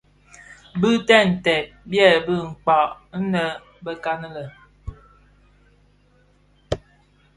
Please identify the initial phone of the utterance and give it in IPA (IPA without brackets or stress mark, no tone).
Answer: b